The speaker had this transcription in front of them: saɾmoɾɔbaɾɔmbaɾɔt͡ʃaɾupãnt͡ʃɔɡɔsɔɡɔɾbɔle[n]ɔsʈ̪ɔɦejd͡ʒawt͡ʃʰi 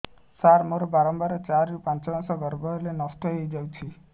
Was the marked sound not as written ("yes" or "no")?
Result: no